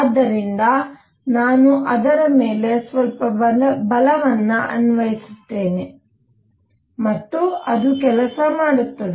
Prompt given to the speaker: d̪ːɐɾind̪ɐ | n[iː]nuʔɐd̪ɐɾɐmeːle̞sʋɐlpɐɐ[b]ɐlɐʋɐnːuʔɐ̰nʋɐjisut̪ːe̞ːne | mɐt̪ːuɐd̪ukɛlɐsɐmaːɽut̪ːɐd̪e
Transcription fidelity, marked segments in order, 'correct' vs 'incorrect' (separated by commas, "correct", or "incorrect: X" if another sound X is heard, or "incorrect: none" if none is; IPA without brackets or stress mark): incorrect: aː, correct